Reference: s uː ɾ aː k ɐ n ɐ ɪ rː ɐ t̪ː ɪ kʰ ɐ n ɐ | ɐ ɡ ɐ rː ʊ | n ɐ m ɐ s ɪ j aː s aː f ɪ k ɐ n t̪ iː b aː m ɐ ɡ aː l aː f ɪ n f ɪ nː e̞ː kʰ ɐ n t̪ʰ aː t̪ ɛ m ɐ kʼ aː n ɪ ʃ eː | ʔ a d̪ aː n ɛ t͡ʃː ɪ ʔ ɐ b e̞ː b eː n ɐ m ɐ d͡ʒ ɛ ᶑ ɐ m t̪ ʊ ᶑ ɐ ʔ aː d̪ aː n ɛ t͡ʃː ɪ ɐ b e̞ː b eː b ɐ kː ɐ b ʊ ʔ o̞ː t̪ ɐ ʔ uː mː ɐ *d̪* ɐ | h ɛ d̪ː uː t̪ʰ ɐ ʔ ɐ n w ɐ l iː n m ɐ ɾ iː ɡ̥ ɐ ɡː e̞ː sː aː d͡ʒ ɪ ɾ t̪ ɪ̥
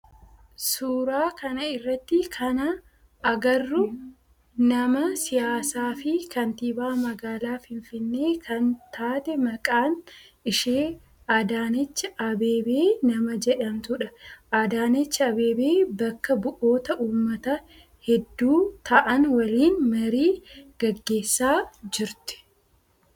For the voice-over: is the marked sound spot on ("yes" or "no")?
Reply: no